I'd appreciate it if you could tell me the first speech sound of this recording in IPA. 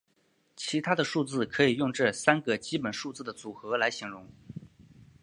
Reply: t͡ɕʰ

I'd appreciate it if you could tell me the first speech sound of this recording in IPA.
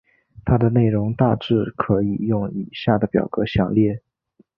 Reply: t̪ʰ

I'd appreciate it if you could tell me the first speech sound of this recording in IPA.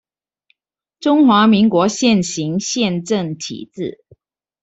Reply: ʈ͡ʂ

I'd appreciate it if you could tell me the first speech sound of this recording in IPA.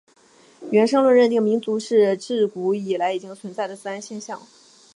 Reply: ɥ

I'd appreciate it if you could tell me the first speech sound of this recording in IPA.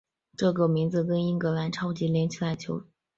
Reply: ʈ͡ʂ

